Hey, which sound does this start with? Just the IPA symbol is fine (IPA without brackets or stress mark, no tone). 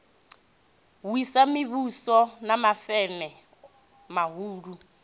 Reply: w